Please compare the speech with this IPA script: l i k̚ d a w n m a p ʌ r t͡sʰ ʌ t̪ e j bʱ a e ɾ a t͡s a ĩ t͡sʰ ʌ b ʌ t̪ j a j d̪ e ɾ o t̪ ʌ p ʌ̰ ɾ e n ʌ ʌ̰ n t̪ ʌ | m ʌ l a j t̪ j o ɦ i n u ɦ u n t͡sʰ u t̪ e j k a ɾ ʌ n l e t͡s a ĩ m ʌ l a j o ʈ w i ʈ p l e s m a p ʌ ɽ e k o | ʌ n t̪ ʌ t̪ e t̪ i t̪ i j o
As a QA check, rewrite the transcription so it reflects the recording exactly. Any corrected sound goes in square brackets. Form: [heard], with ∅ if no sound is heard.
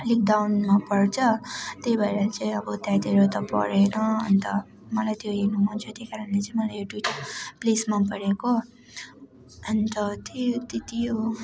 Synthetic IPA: l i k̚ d a w n m a p ʌ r t͡sʰ ʌ t̪ e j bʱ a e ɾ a t͡s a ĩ [∅] ʌ b ʌ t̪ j a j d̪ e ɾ o t̪ ʌ p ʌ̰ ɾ e n ʌ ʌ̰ n t̪ ʌ | m ʌ l a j t̪ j o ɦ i n u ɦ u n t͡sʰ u t̪ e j k a ɾ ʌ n l e t͡s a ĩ m ʌ l a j o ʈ w i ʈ p l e s m a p ʌ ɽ e k o | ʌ n t̪ ʌ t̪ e t̪ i t̪ i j o